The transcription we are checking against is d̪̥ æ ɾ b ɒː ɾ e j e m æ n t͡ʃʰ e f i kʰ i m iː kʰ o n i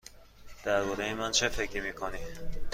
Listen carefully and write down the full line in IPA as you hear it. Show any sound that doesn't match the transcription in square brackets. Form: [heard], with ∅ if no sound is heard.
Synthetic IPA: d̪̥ æ ɾ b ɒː ɾ e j e m æ n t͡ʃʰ e f [e] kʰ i m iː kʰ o n i